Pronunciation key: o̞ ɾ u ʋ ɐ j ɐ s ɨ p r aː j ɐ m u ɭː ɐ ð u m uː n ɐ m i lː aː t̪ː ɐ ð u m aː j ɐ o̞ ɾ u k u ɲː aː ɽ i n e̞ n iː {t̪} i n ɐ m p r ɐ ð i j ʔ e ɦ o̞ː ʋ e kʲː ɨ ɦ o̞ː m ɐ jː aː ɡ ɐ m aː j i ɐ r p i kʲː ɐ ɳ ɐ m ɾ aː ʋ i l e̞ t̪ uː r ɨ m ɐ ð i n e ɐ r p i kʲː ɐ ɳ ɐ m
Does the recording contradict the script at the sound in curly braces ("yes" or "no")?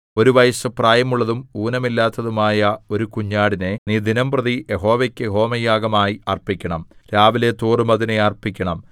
yes